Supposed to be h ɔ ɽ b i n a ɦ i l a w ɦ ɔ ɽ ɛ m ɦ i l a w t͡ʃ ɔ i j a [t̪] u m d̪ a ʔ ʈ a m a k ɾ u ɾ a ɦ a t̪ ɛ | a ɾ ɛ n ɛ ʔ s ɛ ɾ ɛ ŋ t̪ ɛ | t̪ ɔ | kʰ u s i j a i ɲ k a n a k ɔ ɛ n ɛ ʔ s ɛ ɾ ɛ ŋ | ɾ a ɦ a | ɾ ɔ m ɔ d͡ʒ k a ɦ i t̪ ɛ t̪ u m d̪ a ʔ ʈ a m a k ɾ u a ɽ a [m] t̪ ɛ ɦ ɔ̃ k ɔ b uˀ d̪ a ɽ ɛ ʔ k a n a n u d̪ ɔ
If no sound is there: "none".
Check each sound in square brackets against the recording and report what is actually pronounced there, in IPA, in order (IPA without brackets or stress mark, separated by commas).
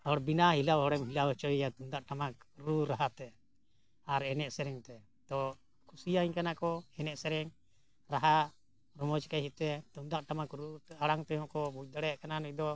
t̪, ŋ